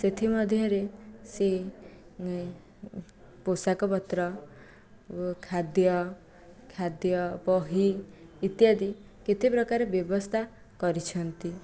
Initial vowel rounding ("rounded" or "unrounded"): unrounded